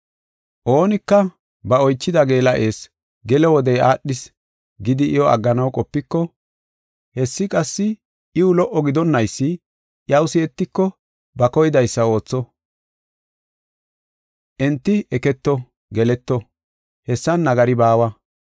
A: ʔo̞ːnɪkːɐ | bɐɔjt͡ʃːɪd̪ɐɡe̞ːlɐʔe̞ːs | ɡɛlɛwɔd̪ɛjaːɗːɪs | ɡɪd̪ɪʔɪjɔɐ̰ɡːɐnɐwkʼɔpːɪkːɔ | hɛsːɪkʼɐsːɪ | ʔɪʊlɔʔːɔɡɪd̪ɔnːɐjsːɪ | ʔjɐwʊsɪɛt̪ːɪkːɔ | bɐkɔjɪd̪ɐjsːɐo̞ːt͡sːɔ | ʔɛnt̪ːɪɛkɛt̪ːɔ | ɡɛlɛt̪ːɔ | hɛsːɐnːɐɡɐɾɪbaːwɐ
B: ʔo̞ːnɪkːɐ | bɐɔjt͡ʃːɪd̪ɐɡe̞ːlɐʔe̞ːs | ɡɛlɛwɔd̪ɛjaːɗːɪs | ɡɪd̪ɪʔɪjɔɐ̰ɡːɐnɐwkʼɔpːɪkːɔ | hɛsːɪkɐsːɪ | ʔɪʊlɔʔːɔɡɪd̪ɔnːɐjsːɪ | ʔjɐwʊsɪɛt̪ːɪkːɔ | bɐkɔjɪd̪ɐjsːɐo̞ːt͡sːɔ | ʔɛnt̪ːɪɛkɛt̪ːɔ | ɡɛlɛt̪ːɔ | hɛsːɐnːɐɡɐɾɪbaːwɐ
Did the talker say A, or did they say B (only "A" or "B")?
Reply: A